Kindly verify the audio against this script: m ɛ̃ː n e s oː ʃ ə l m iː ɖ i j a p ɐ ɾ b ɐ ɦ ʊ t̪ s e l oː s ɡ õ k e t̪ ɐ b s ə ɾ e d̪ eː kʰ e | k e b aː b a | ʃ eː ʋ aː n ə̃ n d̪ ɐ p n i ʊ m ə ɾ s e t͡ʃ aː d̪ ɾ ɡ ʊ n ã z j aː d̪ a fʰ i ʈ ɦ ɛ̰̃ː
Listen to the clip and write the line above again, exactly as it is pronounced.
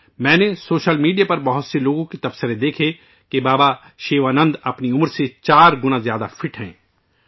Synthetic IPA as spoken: m ɛ̃ː n e s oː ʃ ə l m iː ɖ i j a p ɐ ɾ b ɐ ɦ ʊ t̪ s e l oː ɡ õ k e t̪ ɐ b s ə ɾ e d̪ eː kʰ e | k e b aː b a | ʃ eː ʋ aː n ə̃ n d̪ ɐ p n i ʊ m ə ɾ s e t͡ʃ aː ɾ ɡ ʊ n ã z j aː d̪ a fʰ ɪ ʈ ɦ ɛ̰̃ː

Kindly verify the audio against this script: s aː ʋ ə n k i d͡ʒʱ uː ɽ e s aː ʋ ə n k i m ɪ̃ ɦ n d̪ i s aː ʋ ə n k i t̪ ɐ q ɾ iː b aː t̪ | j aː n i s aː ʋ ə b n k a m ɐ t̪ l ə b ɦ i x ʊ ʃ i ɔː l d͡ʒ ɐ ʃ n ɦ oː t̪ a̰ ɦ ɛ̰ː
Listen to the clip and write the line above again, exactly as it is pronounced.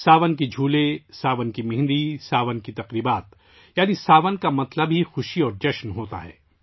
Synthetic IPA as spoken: s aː ʋ ə n k i d͡ʒʱ uː l e s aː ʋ ə n k i m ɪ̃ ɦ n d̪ i s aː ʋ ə n k i t̪ ɐ q ɾ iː b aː t̪ | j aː n i s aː ʋ ə n k a m ɐ t̪ l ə b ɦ i x ʊ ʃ i ɔː ɾ d͡ʒ ɐ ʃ n ɦ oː t̪ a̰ ɦ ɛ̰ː

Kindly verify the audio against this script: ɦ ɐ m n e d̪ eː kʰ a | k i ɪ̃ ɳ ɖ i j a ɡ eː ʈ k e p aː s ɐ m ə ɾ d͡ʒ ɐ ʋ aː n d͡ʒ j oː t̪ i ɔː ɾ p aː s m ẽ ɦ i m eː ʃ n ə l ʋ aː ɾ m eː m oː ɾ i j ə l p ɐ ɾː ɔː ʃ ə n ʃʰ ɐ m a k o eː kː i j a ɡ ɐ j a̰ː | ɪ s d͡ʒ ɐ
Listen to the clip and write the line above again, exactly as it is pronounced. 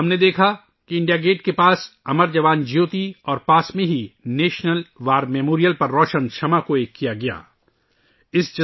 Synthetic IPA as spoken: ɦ ɐ m n e d̪ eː kʰ a | k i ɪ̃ ɳ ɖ i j a ɡ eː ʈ k e p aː s ɐ m ə ɾ d͡ʒ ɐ ʋ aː n d͡ʒ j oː t̪ i ɔː ɾ p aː s m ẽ ɦ i n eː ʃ n ə l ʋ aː ɾ m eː m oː ɾ i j ə l p ɐ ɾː ɔː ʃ ə n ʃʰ ɐ m a k o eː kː i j a ɡ ɐ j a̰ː | ɪ s d͡ʒ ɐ

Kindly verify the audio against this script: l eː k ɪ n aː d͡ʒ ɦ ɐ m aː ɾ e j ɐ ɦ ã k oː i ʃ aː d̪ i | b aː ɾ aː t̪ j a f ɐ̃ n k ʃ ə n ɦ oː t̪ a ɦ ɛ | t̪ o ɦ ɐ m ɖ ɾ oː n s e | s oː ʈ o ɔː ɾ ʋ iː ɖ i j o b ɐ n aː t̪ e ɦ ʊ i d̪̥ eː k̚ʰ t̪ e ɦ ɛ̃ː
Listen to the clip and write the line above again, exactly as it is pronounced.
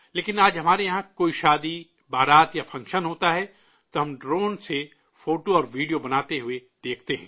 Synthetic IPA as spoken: l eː k ɪ n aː d͡ʒ ɦ ɐ m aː ɾ e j ɐ ɦ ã k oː i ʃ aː d̪ i | b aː ɾ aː t̪ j a f ɐ̃ ŋ k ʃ ə n ɦ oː t̪ a ɦ ɛ | t̪ o ɦ ɐ m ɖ ɾ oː n s e | f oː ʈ o ɔː ɾ ʋ iː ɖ i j o b ɐ n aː t̪ e ɦ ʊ e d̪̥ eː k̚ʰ t̪ e ɦ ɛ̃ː

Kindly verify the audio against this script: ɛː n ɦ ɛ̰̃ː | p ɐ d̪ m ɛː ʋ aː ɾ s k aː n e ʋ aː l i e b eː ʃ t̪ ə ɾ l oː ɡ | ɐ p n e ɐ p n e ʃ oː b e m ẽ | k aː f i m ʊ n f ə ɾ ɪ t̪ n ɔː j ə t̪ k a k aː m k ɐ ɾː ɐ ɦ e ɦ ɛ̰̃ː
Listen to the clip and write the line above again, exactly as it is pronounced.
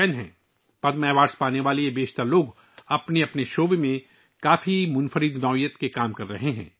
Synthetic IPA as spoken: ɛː n ɦ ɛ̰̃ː | p ɐ d̪ m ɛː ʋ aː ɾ s p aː n e ʋ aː l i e b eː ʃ t̪ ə ɾ l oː ɡ | ɐ p n e ɐ p n e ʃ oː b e m ẽ | k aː f i m ʊ n f ə ɾ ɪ d̪ n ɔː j ə t̪ k e k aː m k ɐ ɾː ɐ ɦ e ɦ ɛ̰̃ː

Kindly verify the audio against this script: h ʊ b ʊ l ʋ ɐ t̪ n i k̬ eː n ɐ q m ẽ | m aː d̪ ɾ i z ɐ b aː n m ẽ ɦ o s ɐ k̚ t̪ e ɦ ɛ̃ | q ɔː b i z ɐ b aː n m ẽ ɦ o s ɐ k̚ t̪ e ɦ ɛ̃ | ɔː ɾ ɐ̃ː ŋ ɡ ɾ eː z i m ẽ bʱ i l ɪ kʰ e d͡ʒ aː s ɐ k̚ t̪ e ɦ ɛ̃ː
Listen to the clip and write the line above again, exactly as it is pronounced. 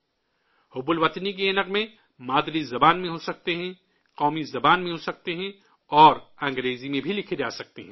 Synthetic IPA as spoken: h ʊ b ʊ l ʋ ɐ t̪ n i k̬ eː n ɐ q m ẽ | m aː d̪ ɾ i z ɐ b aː n m ẽ ɦ o s ɐ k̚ t̪ e ɦ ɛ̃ | q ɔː m i z ɐ b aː n m ẽ ɦ o s ɐ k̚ t̪ e ɦ ɛ̃ | ɔː ɾ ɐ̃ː ŋ ɡ ɾ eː z i m ẽ bʱ i l ɪ kʰ e d͡ʒ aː s ɐ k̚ t̪ e ɦ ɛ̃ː

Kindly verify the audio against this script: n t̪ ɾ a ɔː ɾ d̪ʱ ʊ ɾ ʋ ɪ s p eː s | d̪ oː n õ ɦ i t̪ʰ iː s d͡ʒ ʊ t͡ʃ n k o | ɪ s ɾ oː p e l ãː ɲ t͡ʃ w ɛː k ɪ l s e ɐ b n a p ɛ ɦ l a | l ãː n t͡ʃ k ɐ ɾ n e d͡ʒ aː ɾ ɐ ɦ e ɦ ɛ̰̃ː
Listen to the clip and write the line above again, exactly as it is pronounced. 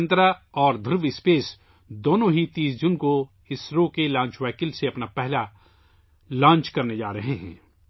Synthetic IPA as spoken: n t̪ ɾ a ɔː ɾ d̪ʱ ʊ ɾ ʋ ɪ s p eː s | d̪ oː n õ ɦ i t̪ iː s d͡ʒ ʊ n k o | ɪ s ɾ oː k e l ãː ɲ t͡ʃ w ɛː k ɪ l s e ɐ p n a p ɛ ɦ l a | l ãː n t͡ʃ k ɐ ɾ n e d͡ʒ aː ɾ ɐ ɦ e ɦ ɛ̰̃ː

